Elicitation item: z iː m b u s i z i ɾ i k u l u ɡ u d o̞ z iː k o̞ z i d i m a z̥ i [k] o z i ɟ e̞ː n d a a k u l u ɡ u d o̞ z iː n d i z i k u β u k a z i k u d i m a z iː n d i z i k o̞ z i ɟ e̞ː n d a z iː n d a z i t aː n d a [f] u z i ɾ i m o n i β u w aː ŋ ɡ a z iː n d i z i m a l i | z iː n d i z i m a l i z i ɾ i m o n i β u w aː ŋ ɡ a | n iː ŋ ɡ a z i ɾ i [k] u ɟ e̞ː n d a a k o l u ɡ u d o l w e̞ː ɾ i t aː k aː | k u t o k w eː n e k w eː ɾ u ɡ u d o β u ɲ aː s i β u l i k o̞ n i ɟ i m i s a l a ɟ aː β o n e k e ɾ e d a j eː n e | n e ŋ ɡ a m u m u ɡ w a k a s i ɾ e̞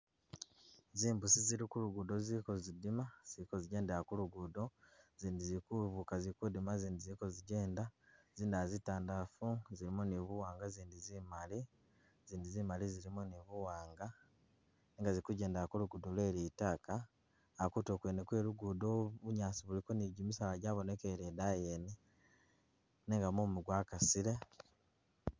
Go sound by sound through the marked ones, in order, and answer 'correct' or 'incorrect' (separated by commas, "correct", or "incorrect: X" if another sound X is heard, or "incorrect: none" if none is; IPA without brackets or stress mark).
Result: correct, correct, correct